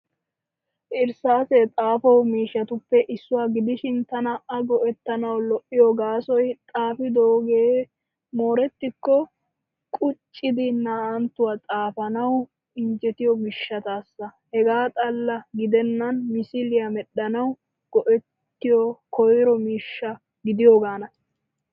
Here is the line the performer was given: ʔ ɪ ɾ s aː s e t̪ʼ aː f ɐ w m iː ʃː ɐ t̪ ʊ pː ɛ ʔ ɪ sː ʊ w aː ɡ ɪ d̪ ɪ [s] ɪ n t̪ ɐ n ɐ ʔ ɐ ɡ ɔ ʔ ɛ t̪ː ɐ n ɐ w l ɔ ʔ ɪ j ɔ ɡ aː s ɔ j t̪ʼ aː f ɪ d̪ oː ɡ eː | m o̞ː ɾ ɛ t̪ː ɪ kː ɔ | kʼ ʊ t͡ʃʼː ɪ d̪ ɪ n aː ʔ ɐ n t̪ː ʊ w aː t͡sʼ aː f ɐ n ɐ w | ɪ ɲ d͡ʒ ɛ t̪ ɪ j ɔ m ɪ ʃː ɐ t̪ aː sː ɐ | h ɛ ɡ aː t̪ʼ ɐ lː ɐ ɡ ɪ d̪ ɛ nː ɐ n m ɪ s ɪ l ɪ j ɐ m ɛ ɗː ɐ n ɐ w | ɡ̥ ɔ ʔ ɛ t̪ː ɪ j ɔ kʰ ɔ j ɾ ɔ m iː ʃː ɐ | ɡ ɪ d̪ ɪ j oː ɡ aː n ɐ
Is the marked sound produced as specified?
no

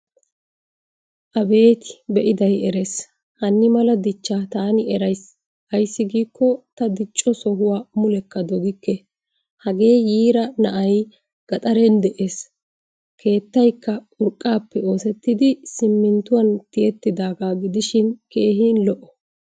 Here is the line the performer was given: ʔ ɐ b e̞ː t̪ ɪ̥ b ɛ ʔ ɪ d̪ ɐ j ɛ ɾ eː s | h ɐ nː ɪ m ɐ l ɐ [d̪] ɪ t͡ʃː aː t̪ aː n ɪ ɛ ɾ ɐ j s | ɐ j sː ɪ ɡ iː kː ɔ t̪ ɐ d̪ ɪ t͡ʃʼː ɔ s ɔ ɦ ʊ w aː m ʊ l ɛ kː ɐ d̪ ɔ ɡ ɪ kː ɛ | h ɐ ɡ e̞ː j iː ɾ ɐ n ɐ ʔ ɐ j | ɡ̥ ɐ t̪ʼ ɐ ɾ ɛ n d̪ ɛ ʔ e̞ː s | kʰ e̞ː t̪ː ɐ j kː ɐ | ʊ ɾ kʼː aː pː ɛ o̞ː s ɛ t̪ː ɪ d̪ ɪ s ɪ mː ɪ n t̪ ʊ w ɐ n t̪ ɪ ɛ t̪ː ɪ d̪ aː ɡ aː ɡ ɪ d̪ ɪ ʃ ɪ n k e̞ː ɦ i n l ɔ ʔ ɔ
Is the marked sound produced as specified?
yes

